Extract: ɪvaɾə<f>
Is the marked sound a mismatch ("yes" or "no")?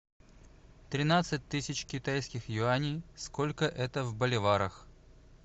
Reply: yes